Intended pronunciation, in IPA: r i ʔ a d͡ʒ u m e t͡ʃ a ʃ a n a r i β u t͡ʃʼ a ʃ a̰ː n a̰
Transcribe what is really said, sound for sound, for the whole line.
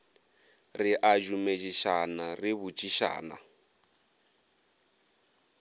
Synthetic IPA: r i ʔ a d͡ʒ u m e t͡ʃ i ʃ a n a r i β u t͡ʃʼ i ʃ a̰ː n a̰